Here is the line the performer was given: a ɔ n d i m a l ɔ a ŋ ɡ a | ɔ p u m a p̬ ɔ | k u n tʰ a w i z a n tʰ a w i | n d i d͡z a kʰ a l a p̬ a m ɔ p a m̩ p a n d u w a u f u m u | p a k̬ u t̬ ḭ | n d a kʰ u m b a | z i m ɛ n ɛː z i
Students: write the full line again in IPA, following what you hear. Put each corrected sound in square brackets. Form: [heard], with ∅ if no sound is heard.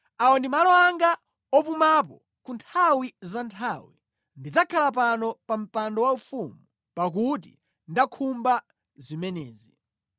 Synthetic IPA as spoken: a ɔ n d i m a l ɔ a ŋ ɡ a | ɔ p u m a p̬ ɔ | k u n tʰ a w i z a n tʰ a w i | n d i d͡z a kʰ a l a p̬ a [n] ɔ p a m̩ p a n d [ɔ] w a u f u m u | p a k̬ u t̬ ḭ | n d a kʰ u m b a | z i m ɛ n ɛː z i